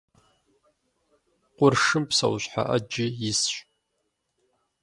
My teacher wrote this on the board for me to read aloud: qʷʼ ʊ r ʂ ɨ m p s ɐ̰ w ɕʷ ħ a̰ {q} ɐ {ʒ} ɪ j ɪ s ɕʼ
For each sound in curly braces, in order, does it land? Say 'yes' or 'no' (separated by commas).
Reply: no, no